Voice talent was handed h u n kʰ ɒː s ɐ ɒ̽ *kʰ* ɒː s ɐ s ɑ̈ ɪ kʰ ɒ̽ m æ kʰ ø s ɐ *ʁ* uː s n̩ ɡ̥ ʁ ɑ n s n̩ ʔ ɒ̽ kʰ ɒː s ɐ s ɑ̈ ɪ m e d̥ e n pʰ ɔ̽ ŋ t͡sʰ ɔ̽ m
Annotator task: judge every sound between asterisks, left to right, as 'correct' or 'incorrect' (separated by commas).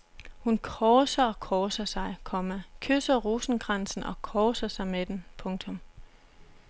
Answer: correct, correct